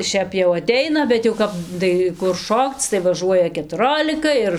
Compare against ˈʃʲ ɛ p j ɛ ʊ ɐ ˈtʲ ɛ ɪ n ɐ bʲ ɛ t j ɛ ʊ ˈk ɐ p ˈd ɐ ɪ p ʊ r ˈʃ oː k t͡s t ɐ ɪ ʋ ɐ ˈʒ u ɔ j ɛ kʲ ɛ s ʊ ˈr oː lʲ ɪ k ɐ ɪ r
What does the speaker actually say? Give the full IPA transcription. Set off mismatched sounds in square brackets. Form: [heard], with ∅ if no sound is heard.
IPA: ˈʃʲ ɛ p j ɛ ʊ ɐ ˈtʲ ɛ ɪ n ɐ bʲ ɛ t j ɛ ʊ ˈk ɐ p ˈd ɐ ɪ [k] ʊ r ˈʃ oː k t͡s t ɐ ɪ ʋ ɐ ˈʒ u ɔ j ɛ kʲ ɛ [t] ʊ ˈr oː lʲ ɪ k ɐ ɪ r